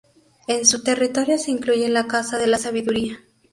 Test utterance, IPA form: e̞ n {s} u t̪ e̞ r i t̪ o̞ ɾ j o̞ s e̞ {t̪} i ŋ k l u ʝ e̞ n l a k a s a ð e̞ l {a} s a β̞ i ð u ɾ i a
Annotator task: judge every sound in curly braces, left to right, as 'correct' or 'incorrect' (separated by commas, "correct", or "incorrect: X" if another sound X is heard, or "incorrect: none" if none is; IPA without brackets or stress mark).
correct, incorrect: none, correct